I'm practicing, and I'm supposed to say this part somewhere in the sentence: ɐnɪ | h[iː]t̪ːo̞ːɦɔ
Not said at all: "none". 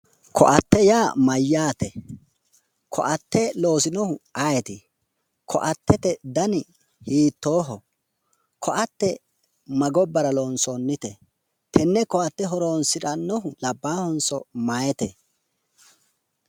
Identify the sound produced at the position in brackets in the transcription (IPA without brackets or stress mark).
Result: iː